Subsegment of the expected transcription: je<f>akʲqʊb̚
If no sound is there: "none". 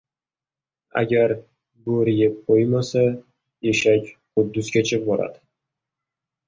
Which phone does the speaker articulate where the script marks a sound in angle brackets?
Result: ʃ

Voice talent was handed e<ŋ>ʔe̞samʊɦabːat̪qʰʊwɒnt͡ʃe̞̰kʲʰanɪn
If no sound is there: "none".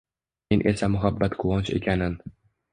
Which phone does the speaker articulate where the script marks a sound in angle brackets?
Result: n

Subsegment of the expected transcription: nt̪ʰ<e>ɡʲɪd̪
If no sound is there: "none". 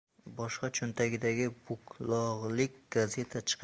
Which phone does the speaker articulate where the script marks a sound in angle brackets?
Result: a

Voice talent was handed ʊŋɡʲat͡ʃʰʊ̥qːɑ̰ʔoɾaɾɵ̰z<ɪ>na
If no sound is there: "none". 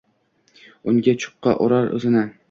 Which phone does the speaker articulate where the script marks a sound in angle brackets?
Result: ɪ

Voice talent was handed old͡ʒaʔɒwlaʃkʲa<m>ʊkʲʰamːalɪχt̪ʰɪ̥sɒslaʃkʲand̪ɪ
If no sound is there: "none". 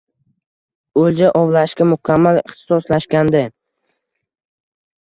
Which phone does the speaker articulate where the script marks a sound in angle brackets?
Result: m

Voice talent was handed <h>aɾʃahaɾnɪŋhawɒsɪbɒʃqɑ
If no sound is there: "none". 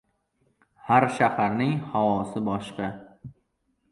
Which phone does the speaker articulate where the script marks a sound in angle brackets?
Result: h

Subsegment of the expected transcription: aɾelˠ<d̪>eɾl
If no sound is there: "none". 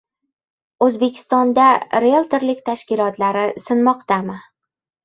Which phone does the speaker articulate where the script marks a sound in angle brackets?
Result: t̪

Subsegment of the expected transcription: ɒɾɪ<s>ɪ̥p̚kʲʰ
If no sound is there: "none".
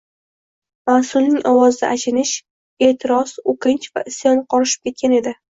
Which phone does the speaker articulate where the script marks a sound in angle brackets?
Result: ʃ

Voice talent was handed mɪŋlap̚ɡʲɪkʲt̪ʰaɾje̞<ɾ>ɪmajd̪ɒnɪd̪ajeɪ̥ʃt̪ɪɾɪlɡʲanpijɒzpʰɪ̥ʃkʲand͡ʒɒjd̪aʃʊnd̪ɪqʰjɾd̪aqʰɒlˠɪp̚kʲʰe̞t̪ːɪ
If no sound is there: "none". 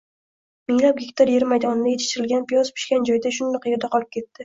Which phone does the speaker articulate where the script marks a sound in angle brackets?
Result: ɾ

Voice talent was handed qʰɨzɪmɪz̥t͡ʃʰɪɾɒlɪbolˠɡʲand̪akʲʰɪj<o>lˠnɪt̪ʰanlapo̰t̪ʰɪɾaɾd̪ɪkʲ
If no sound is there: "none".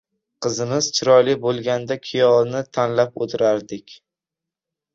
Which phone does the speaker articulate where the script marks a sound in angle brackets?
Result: ɒ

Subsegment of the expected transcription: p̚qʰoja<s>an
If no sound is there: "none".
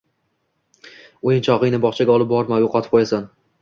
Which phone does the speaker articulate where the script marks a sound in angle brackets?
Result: s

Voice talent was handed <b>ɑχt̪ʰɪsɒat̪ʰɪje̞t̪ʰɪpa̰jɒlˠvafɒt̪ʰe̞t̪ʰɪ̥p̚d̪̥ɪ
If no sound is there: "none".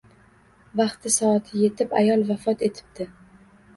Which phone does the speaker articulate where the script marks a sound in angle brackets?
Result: v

